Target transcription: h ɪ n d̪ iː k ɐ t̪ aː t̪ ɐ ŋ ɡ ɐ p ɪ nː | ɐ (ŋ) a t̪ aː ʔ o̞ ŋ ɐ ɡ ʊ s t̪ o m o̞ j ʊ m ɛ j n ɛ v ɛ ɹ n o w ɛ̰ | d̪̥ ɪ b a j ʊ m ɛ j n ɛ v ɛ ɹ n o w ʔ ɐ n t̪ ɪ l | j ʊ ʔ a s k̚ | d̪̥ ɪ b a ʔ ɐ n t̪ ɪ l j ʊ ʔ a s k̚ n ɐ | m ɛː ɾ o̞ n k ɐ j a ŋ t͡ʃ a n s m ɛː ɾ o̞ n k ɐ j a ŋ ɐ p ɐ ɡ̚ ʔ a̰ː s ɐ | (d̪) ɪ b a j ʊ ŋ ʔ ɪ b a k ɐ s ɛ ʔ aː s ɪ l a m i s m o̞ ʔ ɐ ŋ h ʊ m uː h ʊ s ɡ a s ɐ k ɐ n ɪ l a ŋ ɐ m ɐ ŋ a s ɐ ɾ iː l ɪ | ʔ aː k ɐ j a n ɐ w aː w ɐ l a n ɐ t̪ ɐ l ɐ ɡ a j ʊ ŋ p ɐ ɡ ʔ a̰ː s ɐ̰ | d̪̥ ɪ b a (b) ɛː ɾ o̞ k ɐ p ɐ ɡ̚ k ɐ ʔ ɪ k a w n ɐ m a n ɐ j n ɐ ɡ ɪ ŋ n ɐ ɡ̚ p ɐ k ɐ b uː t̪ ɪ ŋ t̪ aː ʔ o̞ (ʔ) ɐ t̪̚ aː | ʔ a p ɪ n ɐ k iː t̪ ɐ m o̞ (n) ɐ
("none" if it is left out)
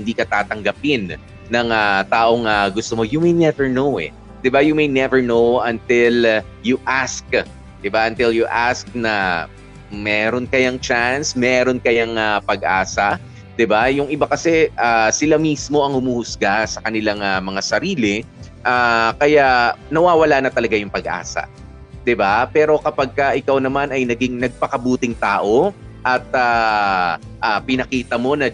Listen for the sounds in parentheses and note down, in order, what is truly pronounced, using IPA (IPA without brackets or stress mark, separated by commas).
ŋ, d̪, p, ʔ, n